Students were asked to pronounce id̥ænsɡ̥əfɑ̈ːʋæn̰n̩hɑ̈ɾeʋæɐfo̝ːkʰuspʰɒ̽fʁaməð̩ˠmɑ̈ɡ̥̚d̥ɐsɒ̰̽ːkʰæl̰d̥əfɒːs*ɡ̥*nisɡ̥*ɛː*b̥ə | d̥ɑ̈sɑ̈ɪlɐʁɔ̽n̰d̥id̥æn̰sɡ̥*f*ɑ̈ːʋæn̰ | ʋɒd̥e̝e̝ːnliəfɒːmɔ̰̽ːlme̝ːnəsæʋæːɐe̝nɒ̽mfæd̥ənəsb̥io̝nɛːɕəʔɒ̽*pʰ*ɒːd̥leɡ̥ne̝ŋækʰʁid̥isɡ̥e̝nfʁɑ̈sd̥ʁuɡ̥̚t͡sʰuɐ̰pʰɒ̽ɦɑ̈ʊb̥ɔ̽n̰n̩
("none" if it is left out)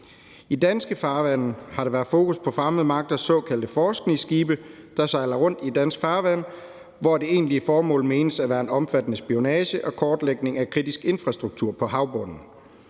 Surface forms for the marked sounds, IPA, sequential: ɡ̥, iː, f, kʰ

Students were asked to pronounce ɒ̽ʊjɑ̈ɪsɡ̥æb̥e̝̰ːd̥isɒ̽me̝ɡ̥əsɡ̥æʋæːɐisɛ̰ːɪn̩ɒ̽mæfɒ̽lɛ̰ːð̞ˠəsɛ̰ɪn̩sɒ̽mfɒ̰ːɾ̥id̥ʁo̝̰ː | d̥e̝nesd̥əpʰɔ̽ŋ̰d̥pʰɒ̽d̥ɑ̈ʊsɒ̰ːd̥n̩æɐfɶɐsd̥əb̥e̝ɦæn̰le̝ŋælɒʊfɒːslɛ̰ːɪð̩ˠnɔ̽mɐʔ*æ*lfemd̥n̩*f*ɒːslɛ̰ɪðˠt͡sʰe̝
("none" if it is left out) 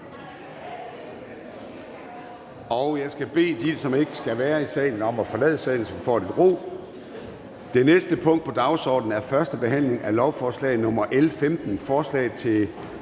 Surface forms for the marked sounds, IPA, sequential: e, f

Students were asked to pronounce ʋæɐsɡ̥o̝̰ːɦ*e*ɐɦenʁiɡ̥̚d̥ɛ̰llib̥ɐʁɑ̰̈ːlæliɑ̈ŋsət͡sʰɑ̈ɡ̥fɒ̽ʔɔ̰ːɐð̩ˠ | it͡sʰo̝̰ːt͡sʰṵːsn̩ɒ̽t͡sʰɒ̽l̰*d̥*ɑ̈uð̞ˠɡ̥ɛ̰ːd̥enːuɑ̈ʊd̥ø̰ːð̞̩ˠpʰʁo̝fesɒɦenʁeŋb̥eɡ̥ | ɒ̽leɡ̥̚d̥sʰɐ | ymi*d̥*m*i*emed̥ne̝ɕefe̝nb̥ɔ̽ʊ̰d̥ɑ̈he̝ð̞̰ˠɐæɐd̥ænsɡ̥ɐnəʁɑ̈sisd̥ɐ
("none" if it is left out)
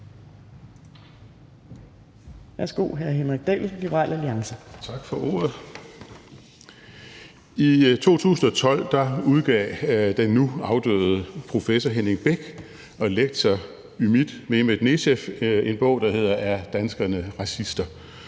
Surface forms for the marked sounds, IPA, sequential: æ, d̥, d̥, e

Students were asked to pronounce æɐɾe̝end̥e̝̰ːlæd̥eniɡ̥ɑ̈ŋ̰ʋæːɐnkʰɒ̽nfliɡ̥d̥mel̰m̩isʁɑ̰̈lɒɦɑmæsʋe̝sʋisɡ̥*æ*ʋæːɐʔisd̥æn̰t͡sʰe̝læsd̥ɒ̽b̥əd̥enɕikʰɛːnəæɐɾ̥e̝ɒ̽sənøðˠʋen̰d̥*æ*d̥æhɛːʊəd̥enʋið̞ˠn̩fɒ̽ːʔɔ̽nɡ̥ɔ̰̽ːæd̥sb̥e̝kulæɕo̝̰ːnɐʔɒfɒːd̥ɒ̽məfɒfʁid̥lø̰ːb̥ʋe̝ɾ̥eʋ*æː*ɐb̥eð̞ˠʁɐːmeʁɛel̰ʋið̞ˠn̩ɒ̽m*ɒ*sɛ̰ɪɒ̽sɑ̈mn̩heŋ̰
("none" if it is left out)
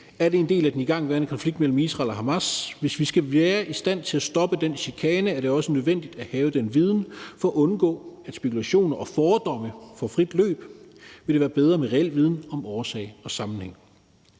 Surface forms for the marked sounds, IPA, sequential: æ, i, æː, ɒː

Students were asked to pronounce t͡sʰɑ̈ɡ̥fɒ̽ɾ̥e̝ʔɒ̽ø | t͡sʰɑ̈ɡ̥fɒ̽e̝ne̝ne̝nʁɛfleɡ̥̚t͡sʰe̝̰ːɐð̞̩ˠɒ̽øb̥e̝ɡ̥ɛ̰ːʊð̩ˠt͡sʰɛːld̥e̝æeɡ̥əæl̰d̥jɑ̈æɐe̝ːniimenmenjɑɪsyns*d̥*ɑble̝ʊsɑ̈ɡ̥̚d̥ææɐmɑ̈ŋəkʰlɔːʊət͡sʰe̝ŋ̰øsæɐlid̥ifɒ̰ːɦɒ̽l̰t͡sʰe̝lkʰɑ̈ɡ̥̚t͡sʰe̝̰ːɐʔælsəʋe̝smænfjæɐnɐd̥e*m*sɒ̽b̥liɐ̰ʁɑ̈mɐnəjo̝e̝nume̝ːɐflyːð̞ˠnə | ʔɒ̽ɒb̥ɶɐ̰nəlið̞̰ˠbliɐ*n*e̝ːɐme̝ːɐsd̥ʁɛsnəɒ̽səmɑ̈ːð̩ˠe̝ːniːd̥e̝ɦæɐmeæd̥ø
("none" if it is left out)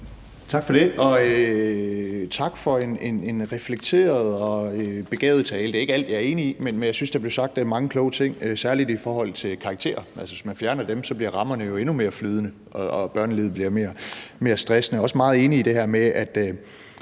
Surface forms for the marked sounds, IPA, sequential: d̥, m, m

